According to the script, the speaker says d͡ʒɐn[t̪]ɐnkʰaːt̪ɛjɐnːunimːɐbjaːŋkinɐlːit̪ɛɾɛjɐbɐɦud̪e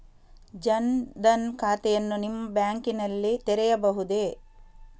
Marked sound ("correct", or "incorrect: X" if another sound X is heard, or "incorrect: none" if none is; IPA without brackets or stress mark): incorrect: d̪